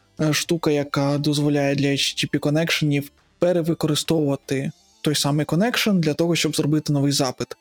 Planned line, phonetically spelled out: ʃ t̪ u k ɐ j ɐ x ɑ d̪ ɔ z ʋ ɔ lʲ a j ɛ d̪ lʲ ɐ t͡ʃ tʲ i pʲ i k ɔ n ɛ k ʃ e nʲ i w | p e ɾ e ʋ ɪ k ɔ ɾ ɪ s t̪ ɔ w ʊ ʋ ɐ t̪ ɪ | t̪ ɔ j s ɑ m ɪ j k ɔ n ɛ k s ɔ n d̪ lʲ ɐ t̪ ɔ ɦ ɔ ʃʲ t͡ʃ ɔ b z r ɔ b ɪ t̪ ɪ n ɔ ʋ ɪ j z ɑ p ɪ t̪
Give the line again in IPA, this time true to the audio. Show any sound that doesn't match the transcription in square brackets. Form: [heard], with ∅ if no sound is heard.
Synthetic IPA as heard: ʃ t̪ u k ɐ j ɐ [k] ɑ d̪ ɔ z ʋ ɔ lʲ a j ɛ d̪ lʲ ɐ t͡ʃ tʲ i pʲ i k ɔ n ɛ k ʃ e nʲ i w | p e ɾ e ʋ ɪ k ɔ ɾ ɪ s t̪ ɔ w ʊ ʋ ɐ t̪ ɪ | t̪ ɔ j s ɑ m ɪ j k ɔ n ɛ k [ʃ] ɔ n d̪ lʲ ɐ t̪ ɔ ɦ ɔ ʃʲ t͡ʃ ɔ b z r ɔ b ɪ t̪ ɪ n ɔ ʋ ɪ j z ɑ p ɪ t̪